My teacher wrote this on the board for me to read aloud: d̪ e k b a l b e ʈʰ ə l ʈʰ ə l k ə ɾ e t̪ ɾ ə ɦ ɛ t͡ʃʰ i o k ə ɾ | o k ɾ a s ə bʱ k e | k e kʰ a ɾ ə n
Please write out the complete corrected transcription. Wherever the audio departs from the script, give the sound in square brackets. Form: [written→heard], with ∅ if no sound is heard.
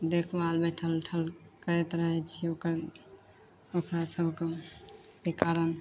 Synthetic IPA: d̪ e [k→kʰ] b a l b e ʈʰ ə l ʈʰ ə l k ə ɾ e t̪ ɾ ə ɦ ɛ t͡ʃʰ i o k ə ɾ | o k ɾ a s ə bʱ k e | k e [kʰ→k] a ɾ ə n